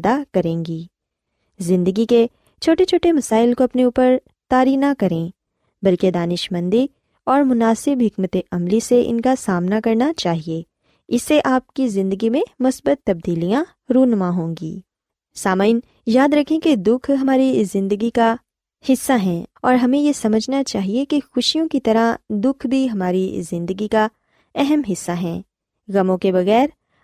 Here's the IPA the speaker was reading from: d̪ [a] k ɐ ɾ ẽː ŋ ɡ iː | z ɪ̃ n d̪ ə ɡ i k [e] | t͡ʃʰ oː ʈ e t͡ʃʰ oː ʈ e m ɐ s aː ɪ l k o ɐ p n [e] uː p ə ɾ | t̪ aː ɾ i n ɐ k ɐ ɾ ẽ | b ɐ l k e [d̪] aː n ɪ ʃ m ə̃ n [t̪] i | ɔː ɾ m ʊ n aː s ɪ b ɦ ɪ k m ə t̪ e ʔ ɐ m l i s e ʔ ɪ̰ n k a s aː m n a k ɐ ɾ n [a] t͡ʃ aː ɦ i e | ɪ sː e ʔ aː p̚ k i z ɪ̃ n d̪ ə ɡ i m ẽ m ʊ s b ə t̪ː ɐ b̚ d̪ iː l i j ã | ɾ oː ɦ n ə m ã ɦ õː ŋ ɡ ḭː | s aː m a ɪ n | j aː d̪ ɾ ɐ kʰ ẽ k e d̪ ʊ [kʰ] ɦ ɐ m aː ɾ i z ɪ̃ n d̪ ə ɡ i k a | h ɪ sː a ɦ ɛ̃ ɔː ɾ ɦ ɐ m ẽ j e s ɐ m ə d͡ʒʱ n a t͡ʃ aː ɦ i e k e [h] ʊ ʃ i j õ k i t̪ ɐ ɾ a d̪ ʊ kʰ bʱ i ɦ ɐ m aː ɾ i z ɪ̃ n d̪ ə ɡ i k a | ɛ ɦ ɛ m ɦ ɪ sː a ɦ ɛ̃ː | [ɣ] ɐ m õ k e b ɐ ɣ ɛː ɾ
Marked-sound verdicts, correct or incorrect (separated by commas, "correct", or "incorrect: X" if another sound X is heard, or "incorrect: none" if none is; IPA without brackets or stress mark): correct, correct, correct, correct, incorrect: d̪, correct, correct, incorrect: x, correct